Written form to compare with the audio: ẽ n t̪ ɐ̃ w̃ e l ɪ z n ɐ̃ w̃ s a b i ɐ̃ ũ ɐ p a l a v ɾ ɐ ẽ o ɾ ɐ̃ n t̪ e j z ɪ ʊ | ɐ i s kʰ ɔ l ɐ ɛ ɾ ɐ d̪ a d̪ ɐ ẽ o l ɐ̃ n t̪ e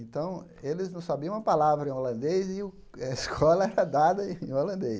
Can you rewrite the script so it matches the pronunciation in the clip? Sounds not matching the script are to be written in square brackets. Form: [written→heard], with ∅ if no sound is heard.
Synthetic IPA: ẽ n t̪ ɐ̃ w̃ e l ɪ z n ɐ̃ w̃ s a b i ɐ̃ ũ ɐ p a l a v ɾ ɐ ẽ o [ɾ→l] ɐ̃ n [t̪→d̪] e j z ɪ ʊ | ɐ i s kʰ ɔ l ɐ ɛ ɾ ɐ d̪ a d̪ ɐ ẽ o l ɐ̃ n [t̪→d̪] e